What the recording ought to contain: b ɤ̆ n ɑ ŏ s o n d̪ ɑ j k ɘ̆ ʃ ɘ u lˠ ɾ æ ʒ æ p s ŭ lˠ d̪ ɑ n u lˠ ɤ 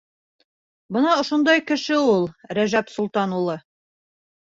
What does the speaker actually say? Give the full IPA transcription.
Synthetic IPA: b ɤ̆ n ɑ ŏ ʃ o n d̪ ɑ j k ɘ̆ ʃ ɘ u lˠ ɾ æ ʒ æ p s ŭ lˠ t̪ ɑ n u lˠ ɤ